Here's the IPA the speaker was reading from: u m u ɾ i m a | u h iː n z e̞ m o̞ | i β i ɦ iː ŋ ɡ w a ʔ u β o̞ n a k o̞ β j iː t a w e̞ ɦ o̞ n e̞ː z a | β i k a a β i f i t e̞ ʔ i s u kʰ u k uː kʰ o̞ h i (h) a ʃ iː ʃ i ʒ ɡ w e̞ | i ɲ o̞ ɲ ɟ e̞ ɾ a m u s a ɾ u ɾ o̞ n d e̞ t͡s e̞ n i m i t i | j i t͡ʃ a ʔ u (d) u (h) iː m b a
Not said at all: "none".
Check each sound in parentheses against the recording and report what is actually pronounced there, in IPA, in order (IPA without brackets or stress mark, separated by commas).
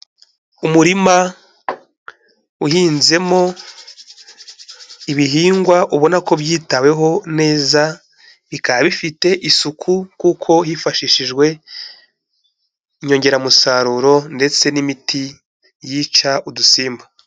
f, d, s